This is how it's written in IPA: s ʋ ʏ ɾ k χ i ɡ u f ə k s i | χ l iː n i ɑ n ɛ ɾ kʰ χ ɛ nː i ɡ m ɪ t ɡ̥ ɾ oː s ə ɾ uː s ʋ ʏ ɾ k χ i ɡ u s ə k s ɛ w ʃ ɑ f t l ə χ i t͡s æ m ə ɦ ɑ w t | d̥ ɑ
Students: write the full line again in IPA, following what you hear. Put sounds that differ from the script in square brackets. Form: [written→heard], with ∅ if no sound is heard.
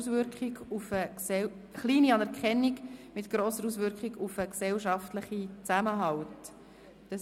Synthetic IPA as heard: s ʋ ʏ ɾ k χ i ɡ u f ə k s [i→ɛ] | χ l iː n i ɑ n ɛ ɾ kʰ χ ɛ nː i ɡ m ɪ t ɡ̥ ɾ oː s ə ɾ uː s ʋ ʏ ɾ k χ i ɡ u [s→f] ə k s ɛ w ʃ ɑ f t l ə χ i t͡s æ m ə ɦ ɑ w t | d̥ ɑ